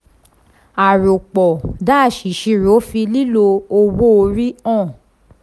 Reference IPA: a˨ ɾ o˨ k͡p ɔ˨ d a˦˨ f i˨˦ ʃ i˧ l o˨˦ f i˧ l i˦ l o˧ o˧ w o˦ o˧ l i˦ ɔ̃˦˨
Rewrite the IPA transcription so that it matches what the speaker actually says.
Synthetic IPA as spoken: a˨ ɾ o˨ k͡p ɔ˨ d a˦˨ ʃ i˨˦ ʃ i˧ ɾ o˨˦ f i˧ l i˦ l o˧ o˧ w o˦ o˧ ɾ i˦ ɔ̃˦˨